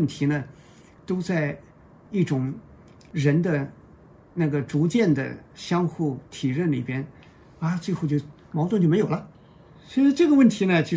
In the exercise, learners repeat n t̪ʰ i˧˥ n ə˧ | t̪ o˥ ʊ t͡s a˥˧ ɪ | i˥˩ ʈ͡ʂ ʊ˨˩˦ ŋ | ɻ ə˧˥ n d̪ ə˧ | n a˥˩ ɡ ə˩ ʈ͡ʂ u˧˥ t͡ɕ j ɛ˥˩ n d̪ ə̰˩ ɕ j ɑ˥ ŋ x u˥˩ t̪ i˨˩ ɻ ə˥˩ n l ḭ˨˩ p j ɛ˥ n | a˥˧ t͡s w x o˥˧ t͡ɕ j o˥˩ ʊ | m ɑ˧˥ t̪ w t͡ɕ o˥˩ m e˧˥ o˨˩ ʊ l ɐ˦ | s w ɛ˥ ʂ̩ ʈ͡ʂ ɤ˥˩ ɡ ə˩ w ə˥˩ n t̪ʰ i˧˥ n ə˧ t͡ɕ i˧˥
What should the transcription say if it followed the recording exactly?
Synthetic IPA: n t̪ʰ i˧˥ n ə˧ | t̪ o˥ ʊ t͡s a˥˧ ɪ | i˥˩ ʈ͡ʂ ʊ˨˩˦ ŋ | ɻ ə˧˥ n d̪ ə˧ | n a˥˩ ɡ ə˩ ʈ͡ʂ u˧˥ t͡ɕ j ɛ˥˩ n d̪ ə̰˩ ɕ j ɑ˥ ŋ x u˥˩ t̪ʰ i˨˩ ɻ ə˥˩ n l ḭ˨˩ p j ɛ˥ n | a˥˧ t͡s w x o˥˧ t͡ɕ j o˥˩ ʊ | m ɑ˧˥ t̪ w t͡ɕ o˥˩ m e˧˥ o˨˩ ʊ l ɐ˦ | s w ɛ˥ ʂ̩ ʈ͡ʂ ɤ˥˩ ɡ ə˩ w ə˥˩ n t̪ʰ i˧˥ n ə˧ t͡ɕ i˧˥